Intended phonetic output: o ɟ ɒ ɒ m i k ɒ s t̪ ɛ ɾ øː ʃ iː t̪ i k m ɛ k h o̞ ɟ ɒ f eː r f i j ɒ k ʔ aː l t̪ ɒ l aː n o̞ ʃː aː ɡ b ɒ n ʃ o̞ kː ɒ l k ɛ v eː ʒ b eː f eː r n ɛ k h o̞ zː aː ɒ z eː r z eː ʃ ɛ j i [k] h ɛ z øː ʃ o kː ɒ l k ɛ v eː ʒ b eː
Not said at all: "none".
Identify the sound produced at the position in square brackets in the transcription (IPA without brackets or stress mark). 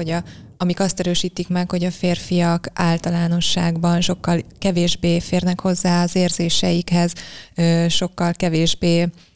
k